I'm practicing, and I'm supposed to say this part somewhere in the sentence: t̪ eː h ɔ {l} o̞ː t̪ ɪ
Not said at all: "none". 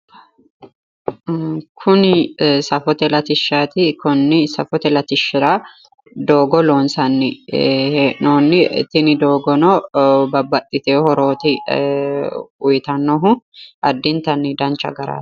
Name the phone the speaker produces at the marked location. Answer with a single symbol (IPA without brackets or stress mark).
ɾ